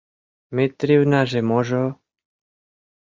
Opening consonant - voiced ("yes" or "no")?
yes